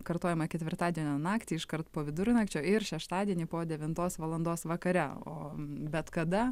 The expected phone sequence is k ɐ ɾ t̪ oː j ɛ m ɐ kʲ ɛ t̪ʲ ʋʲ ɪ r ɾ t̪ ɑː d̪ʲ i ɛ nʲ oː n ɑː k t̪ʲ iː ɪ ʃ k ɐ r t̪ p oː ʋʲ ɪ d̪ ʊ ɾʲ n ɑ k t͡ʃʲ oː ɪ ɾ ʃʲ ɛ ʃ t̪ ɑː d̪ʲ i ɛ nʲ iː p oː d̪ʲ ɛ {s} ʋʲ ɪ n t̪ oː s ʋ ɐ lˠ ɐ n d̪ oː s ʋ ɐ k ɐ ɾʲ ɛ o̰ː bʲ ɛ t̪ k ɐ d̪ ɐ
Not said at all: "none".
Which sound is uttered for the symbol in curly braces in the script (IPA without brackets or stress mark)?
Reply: none